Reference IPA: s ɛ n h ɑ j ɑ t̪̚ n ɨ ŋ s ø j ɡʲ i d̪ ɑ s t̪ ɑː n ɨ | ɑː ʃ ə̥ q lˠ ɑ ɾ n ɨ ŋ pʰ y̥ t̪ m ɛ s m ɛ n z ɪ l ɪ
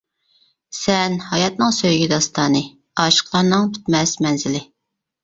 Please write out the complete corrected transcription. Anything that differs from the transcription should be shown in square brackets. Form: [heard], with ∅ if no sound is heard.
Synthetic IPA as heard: s ɛ n h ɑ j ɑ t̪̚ n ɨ ŋ s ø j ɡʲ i d̪ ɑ s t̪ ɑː n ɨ | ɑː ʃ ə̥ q lˠ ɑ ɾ n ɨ ŋ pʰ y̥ t̪ m ɛ s m ɛ n z ɪ l ɪ